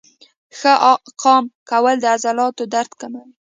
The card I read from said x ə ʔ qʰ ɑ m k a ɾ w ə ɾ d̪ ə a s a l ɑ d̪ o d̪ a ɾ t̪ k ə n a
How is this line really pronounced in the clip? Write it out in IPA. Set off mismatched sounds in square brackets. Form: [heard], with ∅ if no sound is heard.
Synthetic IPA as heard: x ə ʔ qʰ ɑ m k a [∅] w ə [l] d̪ ə a [z] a l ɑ [t̪] o d̪ a ɾ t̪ k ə [m] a